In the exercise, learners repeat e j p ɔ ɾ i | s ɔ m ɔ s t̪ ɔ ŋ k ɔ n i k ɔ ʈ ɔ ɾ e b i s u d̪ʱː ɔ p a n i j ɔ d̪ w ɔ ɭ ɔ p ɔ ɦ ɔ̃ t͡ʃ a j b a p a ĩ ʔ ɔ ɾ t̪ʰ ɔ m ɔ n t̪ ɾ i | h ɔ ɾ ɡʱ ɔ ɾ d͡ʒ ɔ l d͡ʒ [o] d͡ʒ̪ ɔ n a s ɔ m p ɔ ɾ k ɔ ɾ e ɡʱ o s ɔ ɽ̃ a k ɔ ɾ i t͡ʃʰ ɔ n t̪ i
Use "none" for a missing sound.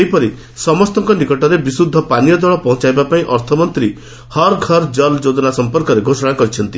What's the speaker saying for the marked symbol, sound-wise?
o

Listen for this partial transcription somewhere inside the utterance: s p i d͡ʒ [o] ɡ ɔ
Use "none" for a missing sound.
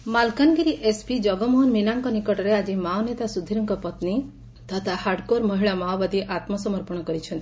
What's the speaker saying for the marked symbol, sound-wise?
ɔ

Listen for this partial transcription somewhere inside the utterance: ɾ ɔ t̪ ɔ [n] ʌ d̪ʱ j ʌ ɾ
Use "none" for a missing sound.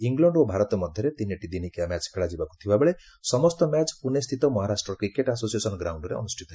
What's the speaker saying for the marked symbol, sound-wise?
m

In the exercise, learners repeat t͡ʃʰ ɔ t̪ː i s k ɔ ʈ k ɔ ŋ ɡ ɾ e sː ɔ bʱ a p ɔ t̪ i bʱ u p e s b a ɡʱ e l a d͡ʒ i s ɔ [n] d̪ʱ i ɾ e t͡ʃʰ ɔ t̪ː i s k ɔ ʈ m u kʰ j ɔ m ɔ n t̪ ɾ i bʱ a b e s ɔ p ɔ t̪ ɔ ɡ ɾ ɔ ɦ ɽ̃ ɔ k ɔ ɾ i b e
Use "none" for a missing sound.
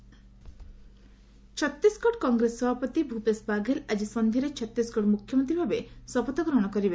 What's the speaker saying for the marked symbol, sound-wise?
n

